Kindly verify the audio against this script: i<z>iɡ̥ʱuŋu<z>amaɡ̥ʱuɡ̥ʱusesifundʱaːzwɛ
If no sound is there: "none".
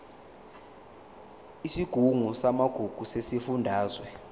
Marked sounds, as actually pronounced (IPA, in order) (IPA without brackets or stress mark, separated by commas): s, s